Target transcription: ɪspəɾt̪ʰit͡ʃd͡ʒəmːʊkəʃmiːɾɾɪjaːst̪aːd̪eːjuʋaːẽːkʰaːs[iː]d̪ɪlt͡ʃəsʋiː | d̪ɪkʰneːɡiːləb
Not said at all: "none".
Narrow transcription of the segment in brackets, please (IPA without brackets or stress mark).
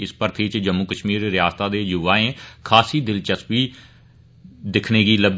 iː